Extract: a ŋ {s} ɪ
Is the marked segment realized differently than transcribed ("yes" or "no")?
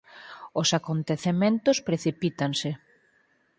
no